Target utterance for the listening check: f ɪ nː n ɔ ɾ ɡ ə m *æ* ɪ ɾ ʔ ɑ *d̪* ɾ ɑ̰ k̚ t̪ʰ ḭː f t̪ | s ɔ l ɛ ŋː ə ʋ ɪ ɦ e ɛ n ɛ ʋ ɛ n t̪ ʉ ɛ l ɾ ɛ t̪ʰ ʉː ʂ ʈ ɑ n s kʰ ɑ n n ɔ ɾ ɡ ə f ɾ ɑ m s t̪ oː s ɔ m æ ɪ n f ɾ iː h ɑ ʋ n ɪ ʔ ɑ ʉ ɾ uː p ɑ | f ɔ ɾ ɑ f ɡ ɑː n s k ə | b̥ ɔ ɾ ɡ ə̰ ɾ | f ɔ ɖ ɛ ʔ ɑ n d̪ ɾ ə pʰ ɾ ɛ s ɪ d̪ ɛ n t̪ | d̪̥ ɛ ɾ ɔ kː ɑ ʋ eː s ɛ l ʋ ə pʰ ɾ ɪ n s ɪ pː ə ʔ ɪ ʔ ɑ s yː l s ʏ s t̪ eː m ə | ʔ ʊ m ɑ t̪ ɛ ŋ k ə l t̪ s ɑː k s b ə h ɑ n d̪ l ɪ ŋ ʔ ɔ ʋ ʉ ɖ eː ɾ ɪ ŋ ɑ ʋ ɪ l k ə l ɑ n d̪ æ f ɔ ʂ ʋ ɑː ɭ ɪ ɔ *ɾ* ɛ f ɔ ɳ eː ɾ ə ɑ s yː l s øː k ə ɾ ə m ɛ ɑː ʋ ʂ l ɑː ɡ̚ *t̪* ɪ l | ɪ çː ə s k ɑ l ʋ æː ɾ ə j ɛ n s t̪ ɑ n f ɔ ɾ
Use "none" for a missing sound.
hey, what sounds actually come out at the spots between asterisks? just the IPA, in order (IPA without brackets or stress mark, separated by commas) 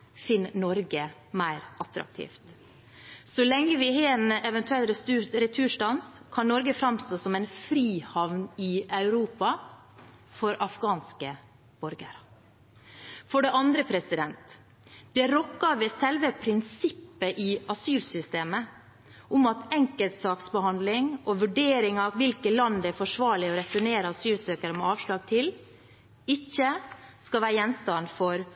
æ, t̪, ɾ, t̪ʰ